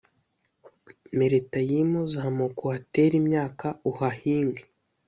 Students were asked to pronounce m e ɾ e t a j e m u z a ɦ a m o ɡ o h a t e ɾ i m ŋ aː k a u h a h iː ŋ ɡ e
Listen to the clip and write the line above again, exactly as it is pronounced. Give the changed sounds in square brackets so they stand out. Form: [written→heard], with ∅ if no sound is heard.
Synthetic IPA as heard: m e ɾ e t a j [e→i] m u z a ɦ a m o [ɡ→k] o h a t e ɾ i m [ŋ→ɲ] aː k a u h a h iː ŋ ɡ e